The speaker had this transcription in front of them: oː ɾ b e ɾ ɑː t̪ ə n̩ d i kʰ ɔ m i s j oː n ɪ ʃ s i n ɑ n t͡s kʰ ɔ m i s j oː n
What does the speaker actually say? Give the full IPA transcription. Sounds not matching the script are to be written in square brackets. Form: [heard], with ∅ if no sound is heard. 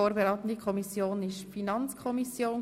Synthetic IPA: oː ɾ b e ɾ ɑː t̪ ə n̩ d i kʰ ɔ m i s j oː n ɪ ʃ [f] i n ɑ n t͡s kʰ ɔ m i s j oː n